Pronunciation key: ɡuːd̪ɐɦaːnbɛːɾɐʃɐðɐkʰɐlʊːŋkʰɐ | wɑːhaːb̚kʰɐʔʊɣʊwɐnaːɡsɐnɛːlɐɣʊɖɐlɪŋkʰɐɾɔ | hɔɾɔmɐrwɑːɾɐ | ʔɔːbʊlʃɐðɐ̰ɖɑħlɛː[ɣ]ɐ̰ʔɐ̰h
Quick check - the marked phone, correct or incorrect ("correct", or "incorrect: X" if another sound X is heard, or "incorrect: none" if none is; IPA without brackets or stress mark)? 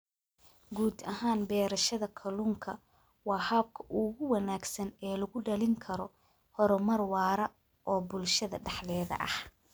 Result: incorrect: ð